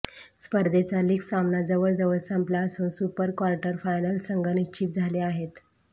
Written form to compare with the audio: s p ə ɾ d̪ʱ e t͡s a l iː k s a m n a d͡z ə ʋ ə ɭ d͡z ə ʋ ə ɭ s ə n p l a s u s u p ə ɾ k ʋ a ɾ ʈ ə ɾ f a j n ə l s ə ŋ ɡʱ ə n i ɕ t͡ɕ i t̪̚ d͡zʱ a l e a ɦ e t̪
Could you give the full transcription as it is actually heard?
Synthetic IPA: s p ə ɾ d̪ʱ e t͡s a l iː k s a m n a d͡z ə ʋ ə ɭ d͡z ə ʋ ə ɭ s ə m p l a s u s u p ə ɾ k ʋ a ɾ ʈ ə ɾ f a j n ə l s ə ŋ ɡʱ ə n i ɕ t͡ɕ i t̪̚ d͡zʱ a l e a ɦ e t̪